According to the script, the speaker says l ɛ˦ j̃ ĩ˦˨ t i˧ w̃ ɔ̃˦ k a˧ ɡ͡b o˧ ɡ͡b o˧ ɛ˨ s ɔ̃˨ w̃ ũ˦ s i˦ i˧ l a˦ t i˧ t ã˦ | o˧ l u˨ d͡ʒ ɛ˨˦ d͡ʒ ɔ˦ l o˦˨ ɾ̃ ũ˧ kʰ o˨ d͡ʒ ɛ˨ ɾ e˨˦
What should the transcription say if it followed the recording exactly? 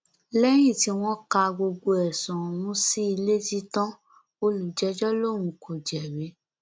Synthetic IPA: l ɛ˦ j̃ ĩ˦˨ t i˧ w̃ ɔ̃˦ k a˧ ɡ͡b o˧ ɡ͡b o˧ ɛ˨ s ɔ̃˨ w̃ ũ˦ s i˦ i˧ l e˦ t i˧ t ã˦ | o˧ l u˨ d͡ʒ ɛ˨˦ d͡ʒ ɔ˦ l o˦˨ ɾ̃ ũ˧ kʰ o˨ d͡ʒ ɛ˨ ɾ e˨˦

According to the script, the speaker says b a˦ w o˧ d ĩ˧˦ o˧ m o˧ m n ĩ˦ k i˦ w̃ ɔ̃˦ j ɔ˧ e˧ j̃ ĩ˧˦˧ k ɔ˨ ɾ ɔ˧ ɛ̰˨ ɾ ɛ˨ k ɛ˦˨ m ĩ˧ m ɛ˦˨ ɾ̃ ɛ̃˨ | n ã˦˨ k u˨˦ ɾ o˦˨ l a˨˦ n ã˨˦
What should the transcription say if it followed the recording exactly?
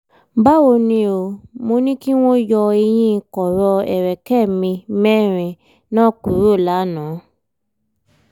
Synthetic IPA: b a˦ w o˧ n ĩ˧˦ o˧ m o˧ n ĩ˦ k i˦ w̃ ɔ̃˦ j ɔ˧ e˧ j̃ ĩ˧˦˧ k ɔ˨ ɾ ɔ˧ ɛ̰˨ ɾ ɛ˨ k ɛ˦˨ m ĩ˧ m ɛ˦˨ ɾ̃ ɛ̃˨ | n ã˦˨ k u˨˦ ɾ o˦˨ l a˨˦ n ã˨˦

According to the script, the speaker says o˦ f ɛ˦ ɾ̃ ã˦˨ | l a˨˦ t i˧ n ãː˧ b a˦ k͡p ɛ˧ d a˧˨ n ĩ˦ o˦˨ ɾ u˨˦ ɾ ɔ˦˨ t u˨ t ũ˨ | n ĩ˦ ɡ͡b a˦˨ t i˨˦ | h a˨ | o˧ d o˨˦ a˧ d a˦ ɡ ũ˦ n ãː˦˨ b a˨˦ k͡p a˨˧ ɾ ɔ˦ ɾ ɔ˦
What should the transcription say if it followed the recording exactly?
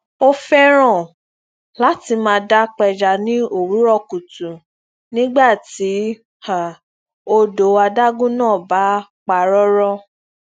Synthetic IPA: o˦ f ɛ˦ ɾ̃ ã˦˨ | l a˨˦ t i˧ m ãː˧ d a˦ k͡p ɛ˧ d͡ʒ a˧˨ n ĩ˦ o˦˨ ɾ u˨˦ ɾ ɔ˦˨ k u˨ t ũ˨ | n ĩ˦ ɡ͡b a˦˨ t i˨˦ | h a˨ | o˧ d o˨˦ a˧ d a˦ ɡ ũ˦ n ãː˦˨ b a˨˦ k͡p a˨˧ ɾ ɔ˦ ɾ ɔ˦

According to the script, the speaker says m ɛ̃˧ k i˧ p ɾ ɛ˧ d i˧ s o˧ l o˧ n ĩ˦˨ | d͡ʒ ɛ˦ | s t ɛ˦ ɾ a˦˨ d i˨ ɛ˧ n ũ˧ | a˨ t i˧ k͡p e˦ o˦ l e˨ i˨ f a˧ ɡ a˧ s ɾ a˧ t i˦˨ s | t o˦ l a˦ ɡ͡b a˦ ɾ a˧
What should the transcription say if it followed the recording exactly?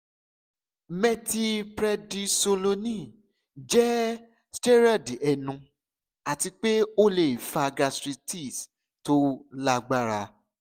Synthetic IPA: m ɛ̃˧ t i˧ p ɾ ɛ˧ d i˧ s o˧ l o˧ n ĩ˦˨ | d͡ʒ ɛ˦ | s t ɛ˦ ɾ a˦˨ d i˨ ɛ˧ n ũ˧ | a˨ t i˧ k͡p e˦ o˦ l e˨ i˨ f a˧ ɡ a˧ s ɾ i˧ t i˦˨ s | t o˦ l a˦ ɡ͡b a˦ ɾ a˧

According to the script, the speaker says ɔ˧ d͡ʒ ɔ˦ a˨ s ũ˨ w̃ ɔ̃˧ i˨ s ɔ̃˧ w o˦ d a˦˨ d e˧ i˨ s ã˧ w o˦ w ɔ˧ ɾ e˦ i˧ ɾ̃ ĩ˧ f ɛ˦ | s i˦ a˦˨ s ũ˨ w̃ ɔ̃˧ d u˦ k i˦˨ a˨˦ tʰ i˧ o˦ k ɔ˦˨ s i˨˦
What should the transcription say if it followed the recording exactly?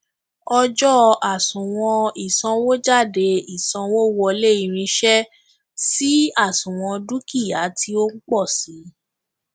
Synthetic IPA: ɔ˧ d͡ʒ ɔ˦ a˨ s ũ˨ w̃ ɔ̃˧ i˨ s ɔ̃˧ w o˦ d͡ʒ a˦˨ d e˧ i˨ s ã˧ w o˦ w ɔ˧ l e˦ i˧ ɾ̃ ĩ˧ ʃ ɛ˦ | s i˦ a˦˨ s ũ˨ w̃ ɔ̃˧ d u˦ k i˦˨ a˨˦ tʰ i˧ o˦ k͡p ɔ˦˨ s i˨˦

